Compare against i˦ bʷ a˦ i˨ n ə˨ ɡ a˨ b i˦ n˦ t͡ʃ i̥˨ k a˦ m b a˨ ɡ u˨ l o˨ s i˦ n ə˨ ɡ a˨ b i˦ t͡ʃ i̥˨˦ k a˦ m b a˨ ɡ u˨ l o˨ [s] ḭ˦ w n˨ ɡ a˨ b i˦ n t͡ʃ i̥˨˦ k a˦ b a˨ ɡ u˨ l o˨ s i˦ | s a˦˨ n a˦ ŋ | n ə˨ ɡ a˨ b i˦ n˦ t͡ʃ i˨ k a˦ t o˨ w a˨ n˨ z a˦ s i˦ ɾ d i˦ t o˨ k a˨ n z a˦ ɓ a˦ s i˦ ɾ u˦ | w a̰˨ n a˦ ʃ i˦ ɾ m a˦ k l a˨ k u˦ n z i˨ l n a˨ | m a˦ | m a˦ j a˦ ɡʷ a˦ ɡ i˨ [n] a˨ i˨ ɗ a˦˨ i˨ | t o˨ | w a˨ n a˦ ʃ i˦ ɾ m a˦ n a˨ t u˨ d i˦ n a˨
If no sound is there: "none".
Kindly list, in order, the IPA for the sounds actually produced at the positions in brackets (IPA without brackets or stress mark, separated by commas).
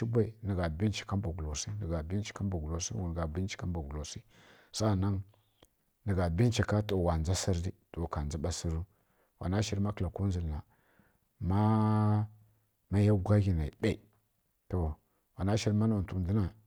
s, n